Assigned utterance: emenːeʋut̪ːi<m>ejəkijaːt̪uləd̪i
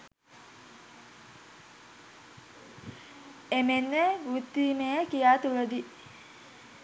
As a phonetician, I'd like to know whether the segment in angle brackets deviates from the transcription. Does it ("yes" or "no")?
no